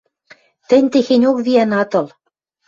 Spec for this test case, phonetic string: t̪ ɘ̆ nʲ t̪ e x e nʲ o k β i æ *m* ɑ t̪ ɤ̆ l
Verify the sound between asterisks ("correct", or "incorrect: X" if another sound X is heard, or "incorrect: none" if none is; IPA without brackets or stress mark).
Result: incorrect: n